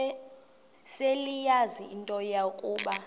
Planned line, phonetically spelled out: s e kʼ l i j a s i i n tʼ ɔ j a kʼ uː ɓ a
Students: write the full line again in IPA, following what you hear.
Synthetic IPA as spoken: s e l i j a z i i n tʼ ɔ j a kʼ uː ɓ a

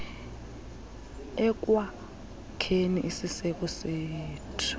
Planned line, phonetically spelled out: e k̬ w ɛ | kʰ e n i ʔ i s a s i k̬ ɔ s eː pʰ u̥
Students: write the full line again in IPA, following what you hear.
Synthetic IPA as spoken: ɛ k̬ w a | kʰ e n i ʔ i s i s ɛ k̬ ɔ s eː tʰ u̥

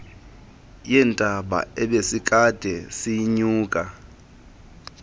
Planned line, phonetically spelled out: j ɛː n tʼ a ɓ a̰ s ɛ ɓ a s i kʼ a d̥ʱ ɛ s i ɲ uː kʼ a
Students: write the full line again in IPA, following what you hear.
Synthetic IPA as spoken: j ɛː n tʼ a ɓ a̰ ɛ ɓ e s i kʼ a d̥ʱ ɛ s i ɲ uː kʼ a

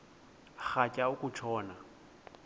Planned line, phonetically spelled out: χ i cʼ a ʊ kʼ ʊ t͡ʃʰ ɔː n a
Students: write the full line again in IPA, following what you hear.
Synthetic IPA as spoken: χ a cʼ a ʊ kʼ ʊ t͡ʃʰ ɔː n a

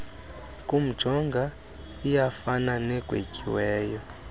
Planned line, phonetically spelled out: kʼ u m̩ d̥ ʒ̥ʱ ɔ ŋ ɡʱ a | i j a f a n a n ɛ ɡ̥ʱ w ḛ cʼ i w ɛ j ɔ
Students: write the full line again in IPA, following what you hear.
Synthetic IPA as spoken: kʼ u m̩ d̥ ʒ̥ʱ ɔ ŋ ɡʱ a | i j a f a n a n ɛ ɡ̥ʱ w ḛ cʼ i w ɛː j ɔ

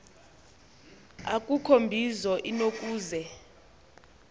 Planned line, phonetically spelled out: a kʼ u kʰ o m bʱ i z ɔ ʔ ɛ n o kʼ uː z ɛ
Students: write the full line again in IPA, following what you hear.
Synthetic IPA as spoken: a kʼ u kʰ o m bʱ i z ɔ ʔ i n o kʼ uː z ɛ

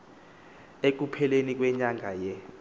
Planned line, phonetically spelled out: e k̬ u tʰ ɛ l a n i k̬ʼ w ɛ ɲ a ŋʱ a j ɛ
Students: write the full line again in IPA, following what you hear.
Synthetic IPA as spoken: e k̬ u pʰ ɛ l e n i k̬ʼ w ɛ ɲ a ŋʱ a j ɛ

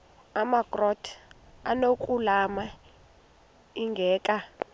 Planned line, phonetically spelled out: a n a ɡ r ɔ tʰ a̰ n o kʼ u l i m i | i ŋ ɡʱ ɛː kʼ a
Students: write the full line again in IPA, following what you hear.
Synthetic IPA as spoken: a m a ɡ r ɔ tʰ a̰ n o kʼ u l a m a | i ŋ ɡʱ ɛː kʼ a

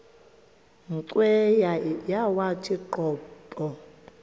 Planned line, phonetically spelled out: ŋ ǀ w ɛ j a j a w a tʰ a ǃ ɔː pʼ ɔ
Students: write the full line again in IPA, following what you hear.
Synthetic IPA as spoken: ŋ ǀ w ɛ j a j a w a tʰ i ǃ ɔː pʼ ɔ

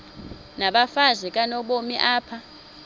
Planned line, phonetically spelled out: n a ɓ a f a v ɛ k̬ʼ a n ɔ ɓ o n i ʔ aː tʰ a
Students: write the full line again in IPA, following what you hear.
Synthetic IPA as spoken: n a ɓ a f a z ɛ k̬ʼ a n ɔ ɓ o m i ʔ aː pʰ a

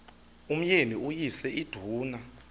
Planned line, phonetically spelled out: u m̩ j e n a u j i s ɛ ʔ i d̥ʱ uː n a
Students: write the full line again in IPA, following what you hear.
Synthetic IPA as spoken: u m̩ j e n i u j i s ɛ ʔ i d̥ʱ uː n a

